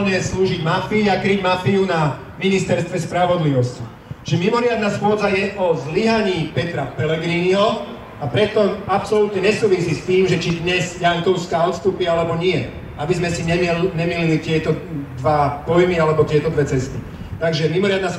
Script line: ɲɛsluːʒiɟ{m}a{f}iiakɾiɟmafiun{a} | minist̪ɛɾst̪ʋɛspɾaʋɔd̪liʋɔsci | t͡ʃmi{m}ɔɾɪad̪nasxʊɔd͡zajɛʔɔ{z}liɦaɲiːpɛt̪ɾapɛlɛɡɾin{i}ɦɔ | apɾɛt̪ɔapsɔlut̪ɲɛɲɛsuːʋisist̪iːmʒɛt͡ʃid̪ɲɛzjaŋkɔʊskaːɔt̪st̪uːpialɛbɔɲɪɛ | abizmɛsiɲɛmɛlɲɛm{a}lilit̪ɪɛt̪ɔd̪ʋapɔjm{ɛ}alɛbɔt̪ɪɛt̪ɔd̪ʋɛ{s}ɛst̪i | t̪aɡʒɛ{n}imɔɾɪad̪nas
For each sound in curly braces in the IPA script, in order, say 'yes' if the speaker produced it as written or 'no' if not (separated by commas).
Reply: yes, yes, yes, yes, yes, yes, no, no, no, no